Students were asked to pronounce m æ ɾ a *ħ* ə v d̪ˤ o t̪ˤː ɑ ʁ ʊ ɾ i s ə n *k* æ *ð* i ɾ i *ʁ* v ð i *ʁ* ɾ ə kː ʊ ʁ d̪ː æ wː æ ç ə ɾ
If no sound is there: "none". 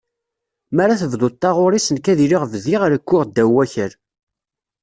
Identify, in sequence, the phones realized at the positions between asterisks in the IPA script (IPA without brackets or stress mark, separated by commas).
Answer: θ, k, ð, ʁ, ʁ